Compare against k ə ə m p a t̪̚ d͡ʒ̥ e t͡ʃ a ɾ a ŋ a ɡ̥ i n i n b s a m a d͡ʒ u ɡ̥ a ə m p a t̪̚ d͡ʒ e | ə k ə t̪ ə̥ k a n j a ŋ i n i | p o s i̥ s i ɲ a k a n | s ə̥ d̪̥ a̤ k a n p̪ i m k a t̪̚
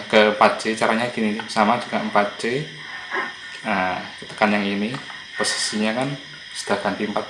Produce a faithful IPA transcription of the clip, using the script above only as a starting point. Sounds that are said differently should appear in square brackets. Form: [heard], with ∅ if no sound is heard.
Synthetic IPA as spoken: k ə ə m p a t̪̚ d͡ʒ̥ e t͡ʃ a ɾ a [ɲ] a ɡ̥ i n i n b s a m a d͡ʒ u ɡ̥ a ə m p a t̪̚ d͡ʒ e | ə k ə t̪ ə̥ k a n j a ŋ i n i | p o s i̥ s i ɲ a k a n | s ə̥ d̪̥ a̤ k a n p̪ i m [p] a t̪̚

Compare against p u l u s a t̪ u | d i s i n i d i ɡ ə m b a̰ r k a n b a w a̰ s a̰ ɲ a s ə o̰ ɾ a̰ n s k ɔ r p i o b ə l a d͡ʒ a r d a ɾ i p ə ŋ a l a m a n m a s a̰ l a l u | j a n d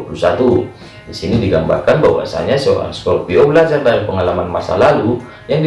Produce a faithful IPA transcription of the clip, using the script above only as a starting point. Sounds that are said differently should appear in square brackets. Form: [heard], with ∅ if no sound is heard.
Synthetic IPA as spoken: p u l u s a t̪ u | d i s i n i d i ɡ [a] m b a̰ r k a n b a w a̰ s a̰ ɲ a s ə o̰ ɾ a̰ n s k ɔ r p i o b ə l a d͡ʒ a r d a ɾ i p ə ŋ a l a m a n m a s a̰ l a l u | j a [ŋ] d

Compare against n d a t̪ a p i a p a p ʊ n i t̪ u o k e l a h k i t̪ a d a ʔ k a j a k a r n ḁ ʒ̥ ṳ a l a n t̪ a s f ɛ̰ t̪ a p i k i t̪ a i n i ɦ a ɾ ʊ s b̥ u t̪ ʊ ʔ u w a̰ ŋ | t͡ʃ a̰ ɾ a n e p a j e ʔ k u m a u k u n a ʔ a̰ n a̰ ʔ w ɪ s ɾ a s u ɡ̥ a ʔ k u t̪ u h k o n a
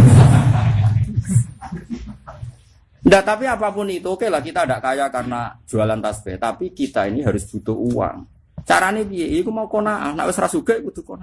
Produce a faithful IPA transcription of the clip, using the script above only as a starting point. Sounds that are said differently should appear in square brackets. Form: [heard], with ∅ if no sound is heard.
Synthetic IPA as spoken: n d a t̪ a p i a p a p ʊ n i t̪ u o k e l a h k i t̪ a d a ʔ k a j a k a r n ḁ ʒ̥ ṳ a l a n t̪ a s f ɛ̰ t̪ a p i k i t̪ a i n i ɦ a ɾ ʊ s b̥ u t̪ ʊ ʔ u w a̰ ŋ | t͡ʃ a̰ ɾ a n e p [i] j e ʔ k u m a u k [o] n a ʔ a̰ n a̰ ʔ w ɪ s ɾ a s u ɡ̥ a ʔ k u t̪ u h k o n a

